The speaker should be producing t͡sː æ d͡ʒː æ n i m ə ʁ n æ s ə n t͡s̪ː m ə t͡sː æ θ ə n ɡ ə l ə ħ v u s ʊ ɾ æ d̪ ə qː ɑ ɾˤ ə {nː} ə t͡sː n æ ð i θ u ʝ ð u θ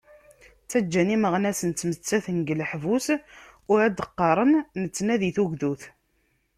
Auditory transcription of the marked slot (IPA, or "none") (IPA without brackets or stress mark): nː